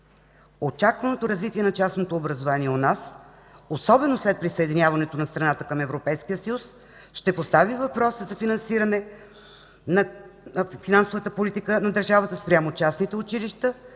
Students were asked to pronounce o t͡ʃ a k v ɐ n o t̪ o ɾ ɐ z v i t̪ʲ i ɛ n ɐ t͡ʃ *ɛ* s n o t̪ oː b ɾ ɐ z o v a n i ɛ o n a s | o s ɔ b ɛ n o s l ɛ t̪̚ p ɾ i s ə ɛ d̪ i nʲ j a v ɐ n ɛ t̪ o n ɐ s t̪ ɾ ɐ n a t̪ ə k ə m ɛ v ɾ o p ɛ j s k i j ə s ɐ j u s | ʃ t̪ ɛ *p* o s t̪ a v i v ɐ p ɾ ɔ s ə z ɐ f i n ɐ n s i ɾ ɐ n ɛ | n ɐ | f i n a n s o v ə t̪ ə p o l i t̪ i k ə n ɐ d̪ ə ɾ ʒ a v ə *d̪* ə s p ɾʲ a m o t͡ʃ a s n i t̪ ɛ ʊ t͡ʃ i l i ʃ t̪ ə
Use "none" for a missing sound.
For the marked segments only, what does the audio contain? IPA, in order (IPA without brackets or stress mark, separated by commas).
a, p, t̪